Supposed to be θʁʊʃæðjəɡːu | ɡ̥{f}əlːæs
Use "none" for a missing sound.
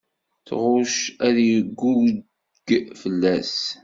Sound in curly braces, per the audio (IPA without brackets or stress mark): f